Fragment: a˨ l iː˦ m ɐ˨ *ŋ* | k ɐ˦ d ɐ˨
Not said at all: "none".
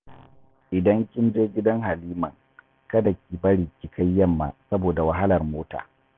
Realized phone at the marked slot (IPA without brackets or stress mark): ŋ